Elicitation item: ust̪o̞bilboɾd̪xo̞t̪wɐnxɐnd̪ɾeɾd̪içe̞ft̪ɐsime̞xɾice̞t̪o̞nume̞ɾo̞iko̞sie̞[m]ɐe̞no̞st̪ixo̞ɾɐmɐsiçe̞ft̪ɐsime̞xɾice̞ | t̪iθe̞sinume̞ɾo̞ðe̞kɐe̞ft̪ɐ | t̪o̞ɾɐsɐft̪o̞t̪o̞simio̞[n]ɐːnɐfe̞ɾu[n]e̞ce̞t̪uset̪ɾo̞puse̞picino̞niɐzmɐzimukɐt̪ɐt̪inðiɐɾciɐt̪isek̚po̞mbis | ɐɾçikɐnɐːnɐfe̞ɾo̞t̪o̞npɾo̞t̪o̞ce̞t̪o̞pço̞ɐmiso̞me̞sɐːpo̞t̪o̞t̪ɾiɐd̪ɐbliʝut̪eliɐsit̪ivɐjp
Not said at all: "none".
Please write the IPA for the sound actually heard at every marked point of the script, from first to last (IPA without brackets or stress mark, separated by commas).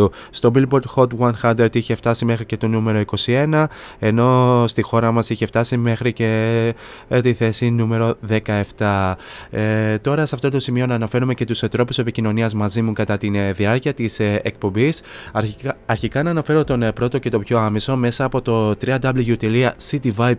n, n, m